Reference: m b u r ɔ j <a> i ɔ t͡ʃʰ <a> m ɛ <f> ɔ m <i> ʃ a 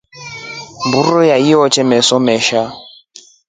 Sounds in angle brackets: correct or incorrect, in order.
correct, incorrect, incorrect, incorrect

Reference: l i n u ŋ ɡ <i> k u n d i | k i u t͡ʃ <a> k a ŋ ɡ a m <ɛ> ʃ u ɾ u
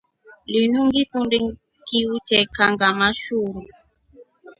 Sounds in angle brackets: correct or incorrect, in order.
correct, incorrect, incorrect

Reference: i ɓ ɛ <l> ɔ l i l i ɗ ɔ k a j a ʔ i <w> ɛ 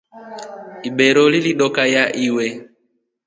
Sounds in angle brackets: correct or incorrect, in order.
incorrect, correct

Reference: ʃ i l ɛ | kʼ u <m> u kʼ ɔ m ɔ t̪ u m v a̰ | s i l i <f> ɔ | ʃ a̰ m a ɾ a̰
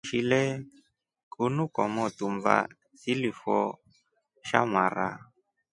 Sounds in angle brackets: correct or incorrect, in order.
incorrect, correct

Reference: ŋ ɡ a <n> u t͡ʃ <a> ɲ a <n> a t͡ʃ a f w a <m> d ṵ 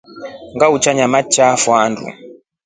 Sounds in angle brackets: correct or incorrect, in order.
incorrect, correct, incorrect, incorrect

